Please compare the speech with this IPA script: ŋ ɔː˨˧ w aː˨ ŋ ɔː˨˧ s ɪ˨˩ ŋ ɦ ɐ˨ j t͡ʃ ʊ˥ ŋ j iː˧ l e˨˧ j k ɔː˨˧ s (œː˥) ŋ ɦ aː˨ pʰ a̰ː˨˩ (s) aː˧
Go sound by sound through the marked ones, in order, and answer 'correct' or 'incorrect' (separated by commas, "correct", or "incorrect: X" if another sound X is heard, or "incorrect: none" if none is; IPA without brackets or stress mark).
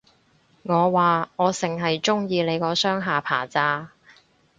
correct, incorrect: t͡s